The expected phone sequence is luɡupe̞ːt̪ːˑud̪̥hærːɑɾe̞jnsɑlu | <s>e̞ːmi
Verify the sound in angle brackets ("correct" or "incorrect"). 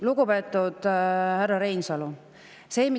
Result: correct